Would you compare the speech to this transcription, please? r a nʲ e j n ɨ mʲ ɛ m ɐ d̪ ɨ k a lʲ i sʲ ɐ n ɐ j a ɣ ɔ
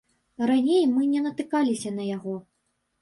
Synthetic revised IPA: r a nʲ e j m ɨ nʲ ɛ n ɐ t̪ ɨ k a lʲ i sʲ ɐ n ɐ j a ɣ ɔ